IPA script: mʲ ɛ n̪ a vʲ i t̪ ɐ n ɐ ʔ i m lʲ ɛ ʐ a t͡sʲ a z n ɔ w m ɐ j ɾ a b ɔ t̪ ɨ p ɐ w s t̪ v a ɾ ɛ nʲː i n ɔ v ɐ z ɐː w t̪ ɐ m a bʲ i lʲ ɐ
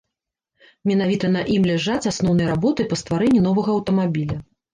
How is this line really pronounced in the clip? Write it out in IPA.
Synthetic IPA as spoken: mʲ ɛ n̪ a vʲ i t̪ ɐ n ɐ ʔ i m lʲ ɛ ʐ a t͡sʲ a s n ɔ w n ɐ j ɾ a b ɔ t̪ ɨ p ɐ s t̪ v a ɾ ɛ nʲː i n ɔ v ɐ ɣ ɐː w t̪ ɐ m a bʲ i lʲ ɐ